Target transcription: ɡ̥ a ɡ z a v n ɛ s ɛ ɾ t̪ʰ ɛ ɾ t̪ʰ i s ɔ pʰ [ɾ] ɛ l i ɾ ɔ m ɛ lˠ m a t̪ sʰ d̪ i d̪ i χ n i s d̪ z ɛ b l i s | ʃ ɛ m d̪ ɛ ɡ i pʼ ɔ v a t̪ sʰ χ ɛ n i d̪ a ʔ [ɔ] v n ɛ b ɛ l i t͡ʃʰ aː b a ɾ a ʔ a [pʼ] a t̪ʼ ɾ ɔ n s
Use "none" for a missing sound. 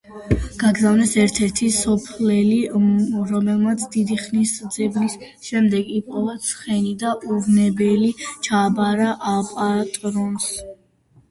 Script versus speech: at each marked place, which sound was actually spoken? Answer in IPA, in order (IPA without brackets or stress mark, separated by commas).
l, u, pʼ